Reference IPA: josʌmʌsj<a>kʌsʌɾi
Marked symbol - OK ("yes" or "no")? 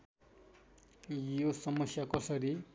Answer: yes